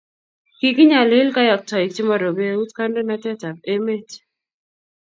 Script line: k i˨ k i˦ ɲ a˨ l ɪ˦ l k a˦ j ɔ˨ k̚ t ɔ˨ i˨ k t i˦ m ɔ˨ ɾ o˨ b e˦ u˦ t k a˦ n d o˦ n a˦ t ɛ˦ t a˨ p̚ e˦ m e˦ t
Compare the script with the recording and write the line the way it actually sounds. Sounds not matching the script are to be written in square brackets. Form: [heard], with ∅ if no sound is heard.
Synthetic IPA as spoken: k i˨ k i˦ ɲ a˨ l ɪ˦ l k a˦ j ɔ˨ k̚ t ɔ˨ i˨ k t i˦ m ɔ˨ ɾ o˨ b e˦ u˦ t k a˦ n d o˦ n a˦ t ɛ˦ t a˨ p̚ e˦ m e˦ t